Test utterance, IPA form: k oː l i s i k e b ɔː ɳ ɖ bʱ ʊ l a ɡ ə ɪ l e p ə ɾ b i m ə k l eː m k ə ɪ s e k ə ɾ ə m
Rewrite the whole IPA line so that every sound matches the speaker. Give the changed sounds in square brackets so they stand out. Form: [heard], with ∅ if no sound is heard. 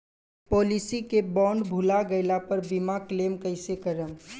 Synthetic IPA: [p] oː l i s i k e b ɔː ɳ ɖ bʱ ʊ l a ɡ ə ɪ l [a] p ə ɾ b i m [a] k l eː m k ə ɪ s e k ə ɾ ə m